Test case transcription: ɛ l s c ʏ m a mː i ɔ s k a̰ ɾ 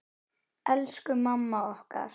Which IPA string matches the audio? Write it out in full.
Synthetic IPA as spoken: ɛ l s k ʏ m a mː a ɔ h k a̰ ɾ